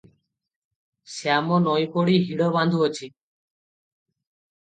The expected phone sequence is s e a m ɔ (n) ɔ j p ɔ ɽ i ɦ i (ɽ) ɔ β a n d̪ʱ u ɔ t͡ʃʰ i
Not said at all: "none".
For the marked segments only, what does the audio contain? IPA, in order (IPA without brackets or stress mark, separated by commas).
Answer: n, ɽ